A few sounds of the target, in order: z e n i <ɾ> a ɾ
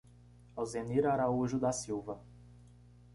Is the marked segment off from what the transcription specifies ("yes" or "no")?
no